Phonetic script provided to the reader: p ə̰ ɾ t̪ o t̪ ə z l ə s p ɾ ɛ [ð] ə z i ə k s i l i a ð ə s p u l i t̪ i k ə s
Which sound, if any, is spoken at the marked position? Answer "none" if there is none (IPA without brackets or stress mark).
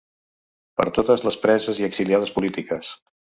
z